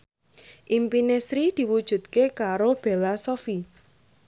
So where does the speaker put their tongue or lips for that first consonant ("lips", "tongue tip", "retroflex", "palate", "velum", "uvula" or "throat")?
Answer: throat